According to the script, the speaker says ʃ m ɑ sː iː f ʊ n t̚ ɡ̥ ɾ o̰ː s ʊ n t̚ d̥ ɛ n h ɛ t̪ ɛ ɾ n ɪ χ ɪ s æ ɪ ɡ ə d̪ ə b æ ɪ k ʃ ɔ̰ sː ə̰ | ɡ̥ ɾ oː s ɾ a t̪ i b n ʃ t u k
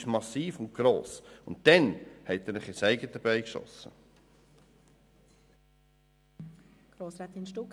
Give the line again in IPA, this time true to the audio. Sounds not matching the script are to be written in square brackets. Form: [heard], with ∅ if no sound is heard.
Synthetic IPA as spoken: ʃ m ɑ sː iː f ʊ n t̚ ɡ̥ ɾ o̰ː s ʊ n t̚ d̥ ɛ n h ɛ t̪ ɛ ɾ n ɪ χ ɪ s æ ɪ ɡ ə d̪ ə b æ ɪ k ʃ ɔ̰ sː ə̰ | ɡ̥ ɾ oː s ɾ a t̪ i [∅] n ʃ t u k